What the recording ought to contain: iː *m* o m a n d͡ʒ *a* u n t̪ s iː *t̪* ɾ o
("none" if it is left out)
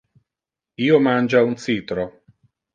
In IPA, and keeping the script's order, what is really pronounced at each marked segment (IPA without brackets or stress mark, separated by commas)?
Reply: none, a, t̪